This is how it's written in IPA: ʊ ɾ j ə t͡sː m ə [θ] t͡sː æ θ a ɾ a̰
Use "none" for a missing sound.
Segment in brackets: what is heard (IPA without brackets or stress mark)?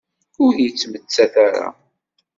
none